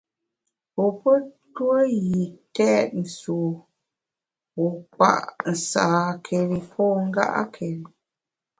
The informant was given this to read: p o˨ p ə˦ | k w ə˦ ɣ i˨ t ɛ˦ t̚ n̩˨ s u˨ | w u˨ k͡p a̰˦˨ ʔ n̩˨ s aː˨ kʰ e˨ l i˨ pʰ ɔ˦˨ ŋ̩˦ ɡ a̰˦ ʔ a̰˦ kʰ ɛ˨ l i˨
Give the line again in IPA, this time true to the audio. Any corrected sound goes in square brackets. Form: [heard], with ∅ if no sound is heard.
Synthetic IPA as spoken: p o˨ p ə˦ | [t] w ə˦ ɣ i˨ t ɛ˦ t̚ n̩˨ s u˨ | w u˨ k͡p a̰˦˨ ʔ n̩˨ s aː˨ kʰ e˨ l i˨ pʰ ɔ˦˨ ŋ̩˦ ɡ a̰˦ ʔ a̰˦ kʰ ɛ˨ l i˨